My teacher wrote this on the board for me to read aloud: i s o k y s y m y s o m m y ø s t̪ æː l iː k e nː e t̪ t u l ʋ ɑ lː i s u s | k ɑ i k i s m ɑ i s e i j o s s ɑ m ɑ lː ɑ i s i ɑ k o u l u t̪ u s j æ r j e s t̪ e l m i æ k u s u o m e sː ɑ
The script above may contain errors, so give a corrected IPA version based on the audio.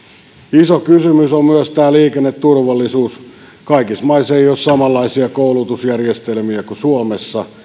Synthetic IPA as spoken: i s o k y s y m y s o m m y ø s t̪ æː l iː k e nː e t̪ t u r ʋ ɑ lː i s uː s | k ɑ i k i s m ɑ i s e i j o s s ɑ m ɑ lː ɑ i s i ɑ k o u l u t̪ u s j æ r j e s t̪ e l m i æ k u s u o m e sː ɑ